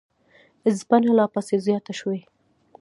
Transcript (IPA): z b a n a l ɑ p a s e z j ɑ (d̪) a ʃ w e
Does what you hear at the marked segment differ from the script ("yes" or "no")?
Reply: yes